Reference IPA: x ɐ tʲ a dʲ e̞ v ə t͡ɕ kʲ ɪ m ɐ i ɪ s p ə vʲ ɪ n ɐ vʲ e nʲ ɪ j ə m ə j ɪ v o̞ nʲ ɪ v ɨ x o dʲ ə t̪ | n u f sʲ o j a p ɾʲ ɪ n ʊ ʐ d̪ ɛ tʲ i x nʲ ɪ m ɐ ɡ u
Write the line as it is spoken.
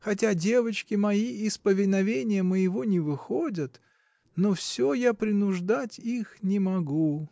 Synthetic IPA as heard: x ɐ tʲ a dʲ e̞ v ə t͡ɕ kʲ ɪ m ɐ i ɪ s p ə vʲ ɪ n ɐ vʲ e nʲ ɪ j ə m ə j ɪ v o̞ nʲ ɪ v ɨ x o dʲ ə t̪ | n o f sʲ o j a p ɾʲ ɪ n ʊ ʐ d̪ a tʲ i x nʲ ɪ m ɐ ɡ u